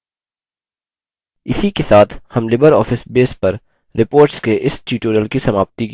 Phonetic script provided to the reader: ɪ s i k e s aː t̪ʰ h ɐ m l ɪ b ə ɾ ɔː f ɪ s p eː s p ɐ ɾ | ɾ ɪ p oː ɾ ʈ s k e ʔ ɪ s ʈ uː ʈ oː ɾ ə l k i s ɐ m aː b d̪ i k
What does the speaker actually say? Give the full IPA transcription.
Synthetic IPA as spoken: ɪ s i k e s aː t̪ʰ h ɐ m l ɪ b ə ɾ ɔː f ɪ s b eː s p ɐ ɾ | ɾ ɪ p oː ɾ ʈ s k e ʔ ɪ s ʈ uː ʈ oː ɾ ə l k i s ɐ m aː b t̪ i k

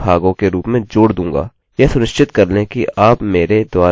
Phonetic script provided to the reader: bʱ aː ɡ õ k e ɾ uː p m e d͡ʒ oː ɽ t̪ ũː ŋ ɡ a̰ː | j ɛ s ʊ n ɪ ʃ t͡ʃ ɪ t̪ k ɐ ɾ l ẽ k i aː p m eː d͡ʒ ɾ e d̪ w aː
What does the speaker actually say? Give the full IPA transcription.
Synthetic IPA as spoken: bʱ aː ɡ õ k e ɾ uː p m ẽ d͡ʒ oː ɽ d̪ ũː ŋ ɡ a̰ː | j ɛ s ʊ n ɪ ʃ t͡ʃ ɪ t̪ k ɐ ɾ l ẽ k i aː p m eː ɾ e d̪ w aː

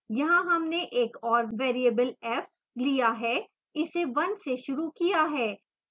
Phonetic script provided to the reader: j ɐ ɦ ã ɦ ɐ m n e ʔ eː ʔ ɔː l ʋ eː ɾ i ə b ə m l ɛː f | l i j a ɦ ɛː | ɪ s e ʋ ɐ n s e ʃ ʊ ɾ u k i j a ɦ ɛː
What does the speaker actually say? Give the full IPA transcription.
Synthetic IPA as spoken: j ɐ ɦ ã ɦ ɐ m n e ʔ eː k ɔː ɾ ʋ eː ɾ i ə b ə l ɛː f | l i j a ɦ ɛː | ɪ s e ʋ ɐ n s e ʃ ʊ ɾ u k i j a ɦ ɛː

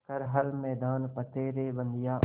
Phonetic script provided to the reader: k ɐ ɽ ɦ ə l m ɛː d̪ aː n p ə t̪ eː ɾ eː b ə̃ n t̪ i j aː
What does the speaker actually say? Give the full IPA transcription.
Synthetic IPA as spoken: k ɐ ɾ ɦ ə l m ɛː d̪ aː n p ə t̪ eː ɾ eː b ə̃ n d̪ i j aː

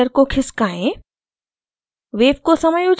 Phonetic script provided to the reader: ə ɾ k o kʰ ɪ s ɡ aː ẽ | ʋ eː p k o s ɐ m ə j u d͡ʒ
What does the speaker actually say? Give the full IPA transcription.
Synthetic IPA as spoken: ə ɾ k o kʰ ɪ s k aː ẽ | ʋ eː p k o s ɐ m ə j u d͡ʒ

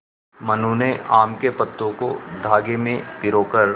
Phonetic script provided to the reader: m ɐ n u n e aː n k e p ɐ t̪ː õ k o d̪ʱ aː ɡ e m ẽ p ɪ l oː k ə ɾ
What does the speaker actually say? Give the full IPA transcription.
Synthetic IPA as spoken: m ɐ n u n e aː m k e p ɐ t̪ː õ k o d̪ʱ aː ɡ e m ẽ p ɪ ɾ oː k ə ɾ

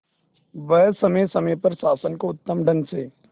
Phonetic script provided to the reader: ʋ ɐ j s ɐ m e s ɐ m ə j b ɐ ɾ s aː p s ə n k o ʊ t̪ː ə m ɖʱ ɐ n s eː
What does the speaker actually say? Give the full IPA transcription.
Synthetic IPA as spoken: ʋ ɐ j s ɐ m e s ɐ m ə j p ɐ ɾ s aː s ə n k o ʊ t̪ː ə m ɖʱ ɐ n s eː

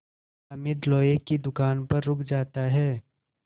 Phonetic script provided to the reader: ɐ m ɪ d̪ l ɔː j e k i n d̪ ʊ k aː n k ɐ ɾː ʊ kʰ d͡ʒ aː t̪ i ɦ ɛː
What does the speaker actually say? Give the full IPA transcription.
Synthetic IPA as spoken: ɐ m ɪ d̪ l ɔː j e k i d̪ ʊ k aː n p ɐ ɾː ʊ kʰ d͡ʒ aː t̪ a ɦ ɛː

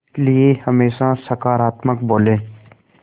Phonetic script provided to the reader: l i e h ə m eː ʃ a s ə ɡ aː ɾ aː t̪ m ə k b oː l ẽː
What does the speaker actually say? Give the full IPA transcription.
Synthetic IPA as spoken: l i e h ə m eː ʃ a s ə k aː ɾ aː t̪ m ə k b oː l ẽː

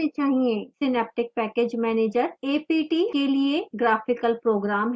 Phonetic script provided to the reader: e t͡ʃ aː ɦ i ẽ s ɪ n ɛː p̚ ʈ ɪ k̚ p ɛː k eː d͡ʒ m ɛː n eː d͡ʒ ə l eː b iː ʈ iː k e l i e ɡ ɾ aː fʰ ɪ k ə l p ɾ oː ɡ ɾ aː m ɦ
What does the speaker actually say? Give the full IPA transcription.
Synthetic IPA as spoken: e t͡ʃ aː ɦ i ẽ s ɪ n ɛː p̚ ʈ ɪ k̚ p ɛː k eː d͡ʒ m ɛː n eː d͡ʒ ə ɾ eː p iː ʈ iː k e l i e ɡ ɾ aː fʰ ɪ k ə l p ɾ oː ɡ ɾ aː m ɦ

